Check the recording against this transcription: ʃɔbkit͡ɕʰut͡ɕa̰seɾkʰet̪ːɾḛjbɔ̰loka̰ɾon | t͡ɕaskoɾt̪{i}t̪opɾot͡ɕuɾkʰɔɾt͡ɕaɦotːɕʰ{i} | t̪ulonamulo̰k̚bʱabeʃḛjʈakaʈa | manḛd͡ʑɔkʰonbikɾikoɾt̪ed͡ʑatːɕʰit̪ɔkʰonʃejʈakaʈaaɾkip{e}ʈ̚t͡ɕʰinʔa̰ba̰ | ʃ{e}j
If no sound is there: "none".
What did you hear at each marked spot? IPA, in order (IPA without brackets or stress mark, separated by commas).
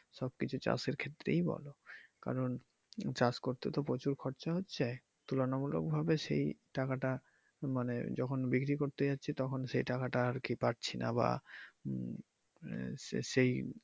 e, e, a, e